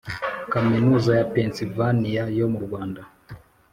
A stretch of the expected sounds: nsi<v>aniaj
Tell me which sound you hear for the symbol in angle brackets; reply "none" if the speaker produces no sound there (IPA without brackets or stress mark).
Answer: v